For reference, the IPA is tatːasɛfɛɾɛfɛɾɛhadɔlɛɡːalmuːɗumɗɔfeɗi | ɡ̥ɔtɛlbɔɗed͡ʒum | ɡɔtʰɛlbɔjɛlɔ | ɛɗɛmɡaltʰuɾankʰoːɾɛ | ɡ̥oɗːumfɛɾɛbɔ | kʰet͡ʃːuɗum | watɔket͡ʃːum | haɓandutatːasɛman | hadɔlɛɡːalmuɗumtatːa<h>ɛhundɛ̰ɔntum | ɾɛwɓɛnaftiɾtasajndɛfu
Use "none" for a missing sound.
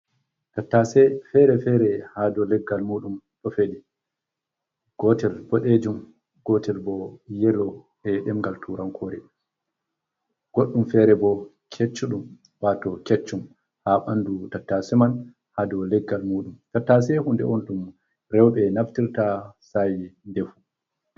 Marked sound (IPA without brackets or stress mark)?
s